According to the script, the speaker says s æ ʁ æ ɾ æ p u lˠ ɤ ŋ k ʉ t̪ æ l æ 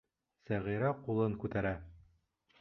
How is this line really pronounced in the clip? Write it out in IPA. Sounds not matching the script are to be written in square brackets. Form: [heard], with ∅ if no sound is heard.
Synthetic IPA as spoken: s æ ʁ [i] ɾ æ [q] u lˠ ɤ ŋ k ʉ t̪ æ [ɾ] æ